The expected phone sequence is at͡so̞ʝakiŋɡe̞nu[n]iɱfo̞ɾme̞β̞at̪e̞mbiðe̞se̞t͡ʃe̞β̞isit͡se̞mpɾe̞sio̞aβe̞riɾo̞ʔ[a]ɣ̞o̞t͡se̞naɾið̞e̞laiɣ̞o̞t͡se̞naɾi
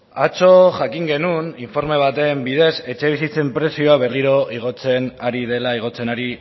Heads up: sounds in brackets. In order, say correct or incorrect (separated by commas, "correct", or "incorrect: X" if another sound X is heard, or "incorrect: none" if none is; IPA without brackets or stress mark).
correct, incorrect: i